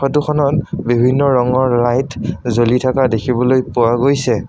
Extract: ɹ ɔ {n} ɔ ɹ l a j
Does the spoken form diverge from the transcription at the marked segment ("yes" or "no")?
yes